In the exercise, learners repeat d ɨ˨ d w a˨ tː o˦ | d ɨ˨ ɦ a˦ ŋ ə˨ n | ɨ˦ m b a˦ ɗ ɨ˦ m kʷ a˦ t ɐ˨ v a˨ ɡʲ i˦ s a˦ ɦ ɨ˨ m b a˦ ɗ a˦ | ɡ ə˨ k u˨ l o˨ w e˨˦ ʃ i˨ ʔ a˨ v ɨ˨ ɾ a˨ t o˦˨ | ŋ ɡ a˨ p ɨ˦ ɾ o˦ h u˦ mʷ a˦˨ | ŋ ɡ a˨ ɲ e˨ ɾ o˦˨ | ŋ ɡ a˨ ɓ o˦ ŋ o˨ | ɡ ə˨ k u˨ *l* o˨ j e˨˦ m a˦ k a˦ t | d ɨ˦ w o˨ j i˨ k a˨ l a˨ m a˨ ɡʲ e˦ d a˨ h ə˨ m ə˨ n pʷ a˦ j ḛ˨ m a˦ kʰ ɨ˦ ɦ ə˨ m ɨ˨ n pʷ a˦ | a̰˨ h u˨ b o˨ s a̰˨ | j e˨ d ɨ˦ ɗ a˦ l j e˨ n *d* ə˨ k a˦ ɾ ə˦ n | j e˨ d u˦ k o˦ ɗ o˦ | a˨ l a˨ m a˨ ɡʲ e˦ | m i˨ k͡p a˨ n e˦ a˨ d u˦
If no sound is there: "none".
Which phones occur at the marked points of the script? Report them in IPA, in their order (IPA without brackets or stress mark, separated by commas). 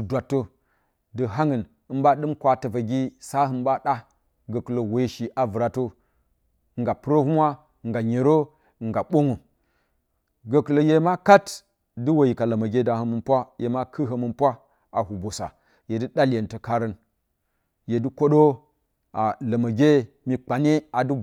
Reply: l, t